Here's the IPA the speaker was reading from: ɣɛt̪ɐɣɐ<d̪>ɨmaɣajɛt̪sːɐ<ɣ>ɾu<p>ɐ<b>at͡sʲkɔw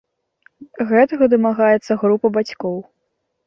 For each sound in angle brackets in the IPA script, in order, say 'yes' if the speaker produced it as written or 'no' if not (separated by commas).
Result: yes, yes, yes, yes